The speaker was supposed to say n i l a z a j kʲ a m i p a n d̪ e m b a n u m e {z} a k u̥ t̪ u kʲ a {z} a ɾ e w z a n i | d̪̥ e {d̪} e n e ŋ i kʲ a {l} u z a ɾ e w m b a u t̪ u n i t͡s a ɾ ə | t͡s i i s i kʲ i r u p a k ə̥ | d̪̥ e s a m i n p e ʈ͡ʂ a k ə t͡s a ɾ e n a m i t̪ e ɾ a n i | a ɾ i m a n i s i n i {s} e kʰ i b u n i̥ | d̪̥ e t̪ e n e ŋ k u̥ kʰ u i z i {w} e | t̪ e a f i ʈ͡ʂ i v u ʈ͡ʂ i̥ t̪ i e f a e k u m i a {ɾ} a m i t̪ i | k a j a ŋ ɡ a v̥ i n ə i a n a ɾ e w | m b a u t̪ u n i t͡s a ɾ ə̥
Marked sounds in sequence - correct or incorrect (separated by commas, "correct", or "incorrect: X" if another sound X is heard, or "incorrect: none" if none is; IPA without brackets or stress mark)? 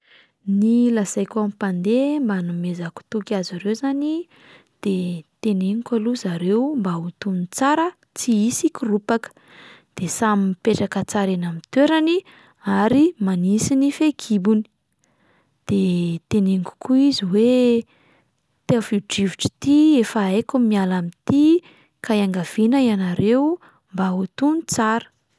correct, correct, incorrect: t̪, correct, incorrect: f, correct, incorrect: l